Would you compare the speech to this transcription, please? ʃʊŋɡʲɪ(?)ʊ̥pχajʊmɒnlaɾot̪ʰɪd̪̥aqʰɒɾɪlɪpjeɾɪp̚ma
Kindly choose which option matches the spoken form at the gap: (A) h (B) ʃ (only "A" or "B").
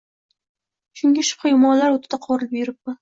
B